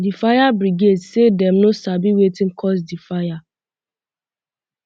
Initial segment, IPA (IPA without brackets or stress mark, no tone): d